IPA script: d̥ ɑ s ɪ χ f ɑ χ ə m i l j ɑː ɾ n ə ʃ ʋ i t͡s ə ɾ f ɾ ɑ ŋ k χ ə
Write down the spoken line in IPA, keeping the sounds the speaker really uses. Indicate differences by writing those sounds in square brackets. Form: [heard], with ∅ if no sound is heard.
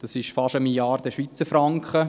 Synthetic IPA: d̥ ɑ s ɪ [ʃ] f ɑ [ʃ] ə m i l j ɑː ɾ [d] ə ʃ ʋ i t͡s ə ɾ f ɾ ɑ ŋ k χ ə